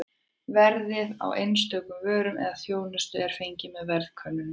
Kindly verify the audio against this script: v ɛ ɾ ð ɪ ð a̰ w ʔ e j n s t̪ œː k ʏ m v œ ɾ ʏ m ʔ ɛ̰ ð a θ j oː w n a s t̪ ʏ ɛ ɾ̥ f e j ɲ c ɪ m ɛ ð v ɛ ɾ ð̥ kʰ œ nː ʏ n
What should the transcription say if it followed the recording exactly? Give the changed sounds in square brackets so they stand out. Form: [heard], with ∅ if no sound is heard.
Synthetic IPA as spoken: v ɛ ɾ ð ɪ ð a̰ w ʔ e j n s t̪ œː k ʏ m v [œː] ɾ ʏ m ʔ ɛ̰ ð a θ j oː w n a s t̪ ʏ ɛ ɾ̥ f e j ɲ c ɪ m ɛ ð v ɛ ɾ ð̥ kʰ œ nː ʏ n